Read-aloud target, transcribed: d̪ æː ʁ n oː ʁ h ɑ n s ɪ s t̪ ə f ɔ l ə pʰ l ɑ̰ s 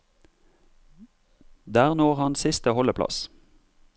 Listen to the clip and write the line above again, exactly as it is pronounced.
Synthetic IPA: d̪ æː ʁ n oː ʁ h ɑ n s ɪ s t̪ ə h ɔ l ə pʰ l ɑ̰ s